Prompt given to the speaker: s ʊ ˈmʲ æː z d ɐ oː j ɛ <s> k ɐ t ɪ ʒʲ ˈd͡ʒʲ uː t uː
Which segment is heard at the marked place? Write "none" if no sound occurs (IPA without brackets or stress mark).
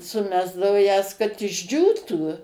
s